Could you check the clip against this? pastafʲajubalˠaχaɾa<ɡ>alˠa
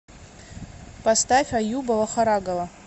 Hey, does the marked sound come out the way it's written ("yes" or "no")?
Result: yes